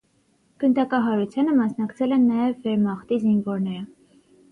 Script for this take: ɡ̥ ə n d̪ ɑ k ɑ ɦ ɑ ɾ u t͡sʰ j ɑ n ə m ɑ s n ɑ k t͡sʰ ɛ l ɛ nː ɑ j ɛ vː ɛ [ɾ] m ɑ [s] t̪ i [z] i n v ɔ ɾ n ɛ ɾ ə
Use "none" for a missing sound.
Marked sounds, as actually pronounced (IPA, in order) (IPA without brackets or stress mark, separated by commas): ɾ, χ, z